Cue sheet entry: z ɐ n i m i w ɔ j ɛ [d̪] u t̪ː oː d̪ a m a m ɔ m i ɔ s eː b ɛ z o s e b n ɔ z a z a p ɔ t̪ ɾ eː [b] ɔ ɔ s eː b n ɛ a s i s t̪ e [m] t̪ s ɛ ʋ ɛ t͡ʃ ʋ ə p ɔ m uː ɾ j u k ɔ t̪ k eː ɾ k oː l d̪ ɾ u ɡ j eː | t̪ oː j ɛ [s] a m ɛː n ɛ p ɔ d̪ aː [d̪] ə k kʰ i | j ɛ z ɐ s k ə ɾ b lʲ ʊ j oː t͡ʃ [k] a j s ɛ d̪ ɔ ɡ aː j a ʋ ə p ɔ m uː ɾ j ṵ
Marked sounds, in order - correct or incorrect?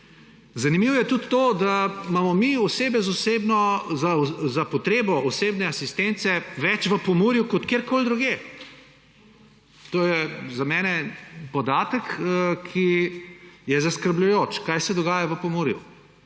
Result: incorrect: t̪, correct, incorrect: n, incorrect: z, incorrect: t̪, correct

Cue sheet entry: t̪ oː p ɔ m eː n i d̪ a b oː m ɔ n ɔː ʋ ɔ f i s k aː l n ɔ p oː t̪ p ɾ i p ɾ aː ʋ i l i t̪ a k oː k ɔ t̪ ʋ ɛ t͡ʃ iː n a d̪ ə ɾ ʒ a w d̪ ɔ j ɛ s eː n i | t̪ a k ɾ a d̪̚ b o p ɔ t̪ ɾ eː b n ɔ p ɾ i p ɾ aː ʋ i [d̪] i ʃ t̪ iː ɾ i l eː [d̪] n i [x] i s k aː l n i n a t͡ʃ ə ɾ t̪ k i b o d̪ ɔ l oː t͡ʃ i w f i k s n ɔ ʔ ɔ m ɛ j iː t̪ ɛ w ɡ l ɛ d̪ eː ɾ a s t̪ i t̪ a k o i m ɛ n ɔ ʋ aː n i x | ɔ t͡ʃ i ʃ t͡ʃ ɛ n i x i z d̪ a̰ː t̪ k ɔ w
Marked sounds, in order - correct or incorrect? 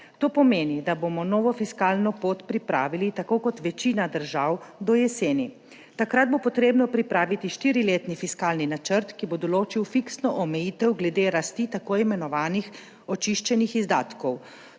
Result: incorrect: t̪, incorrect: t̪, incorrect: f

